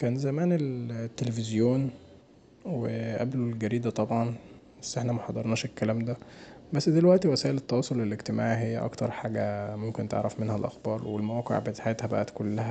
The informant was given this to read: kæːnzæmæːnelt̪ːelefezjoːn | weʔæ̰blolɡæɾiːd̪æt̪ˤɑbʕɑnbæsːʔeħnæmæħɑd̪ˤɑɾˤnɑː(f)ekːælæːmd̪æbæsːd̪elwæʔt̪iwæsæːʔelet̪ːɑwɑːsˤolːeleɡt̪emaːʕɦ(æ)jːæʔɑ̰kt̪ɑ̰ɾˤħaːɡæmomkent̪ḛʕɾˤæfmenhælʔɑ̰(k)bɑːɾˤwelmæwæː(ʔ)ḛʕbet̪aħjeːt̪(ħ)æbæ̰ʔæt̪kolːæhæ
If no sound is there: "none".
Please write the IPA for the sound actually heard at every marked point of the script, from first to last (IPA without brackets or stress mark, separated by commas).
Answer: ʃ, e, x, q, h